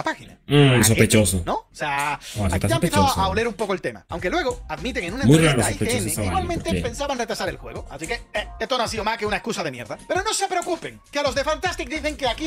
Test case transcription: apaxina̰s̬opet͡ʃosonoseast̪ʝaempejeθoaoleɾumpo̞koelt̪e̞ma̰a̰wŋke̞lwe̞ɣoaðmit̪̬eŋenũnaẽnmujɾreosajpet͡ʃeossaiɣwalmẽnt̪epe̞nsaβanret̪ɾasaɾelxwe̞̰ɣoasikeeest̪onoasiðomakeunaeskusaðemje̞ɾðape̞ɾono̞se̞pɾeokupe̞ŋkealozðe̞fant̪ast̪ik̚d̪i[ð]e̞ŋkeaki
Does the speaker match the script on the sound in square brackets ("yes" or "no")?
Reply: no